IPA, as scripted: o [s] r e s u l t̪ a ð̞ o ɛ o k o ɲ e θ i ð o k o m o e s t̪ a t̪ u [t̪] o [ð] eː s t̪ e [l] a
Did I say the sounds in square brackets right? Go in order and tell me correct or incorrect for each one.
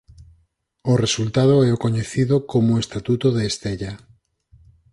incorrect: none, correct, correct, incorrect: ʎ

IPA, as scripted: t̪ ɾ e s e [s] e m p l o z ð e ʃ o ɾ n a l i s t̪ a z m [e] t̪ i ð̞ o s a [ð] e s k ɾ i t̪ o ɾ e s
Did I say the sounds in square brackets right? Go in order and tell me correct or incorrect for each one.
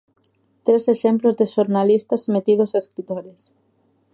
incorrect: ʃ, correct, incorrect: none

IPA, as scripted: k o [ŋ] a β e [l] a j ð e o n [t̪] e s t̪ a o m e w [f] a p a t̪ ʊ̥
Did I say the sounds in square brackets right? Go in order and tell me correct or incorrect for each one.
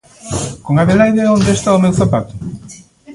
correct, correct, incorrect: d̪, incorrect: θ

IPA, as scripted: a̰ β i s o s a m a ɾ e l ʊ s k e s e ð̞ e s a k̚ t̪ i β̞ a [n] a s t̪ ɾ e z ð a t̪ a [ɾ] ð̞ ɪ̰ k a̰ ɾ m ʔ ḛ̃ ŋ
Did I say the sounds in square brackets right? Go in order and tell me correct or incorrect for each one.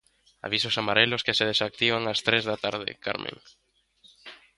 incorrect: ŋ, correct

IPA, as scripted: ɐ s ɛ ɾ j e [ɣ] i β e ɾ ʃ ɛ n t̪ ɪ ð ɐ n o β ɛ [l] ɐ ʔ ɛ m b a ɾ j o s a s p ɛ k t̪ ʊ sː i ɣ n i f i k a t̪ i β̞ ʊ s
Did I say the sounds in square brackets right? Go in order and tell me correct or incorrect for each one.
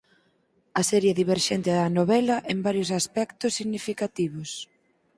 incorrect: ð, correct

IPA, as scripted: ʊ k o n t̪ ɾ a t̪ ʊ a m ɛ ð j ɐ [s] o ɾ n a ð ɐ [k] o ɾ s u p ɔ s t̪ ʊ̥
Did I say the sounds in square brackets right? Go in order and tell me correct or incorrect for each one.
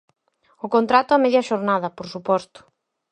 incorrect: ʃ, incorrect: p

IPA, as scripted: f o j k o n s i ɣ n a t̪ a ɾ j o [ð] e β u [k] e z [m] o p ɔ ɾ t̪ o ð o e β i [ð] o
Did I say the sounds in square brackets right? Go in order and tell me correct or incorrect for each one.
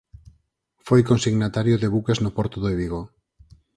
correct, correct, incorrect: n, incorrect: ɣ

